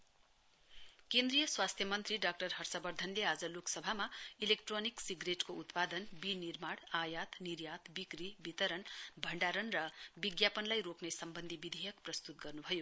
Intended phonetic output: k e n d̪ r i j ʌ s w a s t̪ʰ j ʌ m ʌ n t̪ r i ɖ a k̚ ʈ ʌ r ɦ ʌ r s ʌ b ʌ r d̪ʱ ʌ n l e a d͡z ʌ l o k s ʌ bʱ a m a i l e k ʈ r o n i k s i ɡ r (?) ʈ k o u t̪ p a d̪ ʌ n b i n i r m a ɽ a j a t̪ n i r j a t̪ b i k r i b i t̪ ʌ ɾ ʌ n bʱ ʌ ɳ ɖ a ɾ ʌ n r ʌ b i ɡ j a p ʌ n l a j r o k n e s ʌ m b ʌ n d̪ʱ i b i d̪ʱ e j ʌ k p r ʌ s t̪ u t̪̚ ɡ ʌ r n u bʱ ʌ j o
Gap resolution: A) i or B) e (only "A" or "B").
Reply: B